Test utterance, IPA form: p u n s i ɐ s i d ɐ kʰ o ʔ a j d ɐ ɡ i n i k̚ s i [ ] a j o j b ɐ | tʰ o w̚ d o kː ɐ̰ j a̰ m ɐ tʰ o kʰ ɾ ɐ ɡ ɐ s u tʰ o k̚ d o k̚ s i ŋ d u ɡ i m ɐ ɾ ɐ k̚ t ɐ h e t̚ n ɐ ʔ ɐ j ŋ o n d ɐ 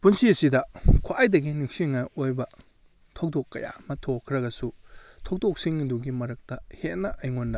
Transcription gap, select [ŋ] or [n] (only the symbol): ŋ